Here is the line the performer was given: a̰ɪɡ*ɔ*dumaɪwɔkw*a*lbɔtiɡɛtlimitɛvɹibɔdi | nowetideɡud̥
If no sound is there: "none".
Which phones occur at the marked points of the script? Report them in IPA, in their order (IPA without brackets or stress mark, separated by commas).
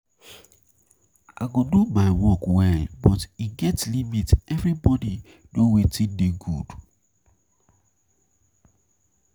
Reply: o, ɛ